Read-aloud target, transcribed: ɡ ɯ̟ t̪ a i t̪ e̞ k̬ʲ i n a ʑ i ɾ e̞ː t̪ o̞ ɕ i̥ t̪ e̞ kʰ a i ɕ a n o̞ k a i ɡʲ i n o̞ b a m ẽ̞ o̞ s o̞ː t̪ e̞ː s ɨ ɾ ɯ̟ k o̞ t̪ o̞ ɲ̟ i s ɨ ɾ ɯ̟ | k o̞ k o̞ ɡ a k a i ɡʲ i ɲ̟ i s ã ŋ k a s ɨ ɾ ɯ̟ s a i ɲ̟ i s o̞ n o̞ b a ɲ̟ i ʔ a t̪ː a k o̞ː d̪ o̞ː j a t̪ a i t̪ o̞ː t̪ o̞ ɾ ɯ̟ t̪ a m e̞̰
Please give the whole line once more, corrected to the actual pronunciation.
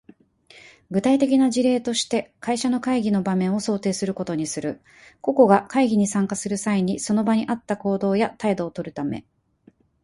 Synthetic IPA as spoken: ɡ ɯ̟ t̪ a i t̪ e̞ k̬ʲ i n a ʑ i ɾ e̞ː t̪ o̞ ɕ i̥ t̪ e̞ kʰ a i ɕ a n o̞ k a i ɡʲ i n o̞ b a m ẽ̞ o̞ s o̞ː t̪ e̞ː s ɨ ɾ ɯ̟ k o̞ t̪ o̞ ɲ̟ i s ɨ ɾ ɯ̟ | k o̞ k o̞ ɡ a k a i ɡʲ i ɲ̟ i s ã ŋ k a s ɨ ɾ ɯ̟ s a i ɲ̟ i s o̞ n o̞ b a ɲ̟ i ʔ a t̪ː a k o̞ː d̪ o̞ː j a t̪ a i d̪ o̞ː t̪ o̞ ɾ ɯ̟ t̪ a m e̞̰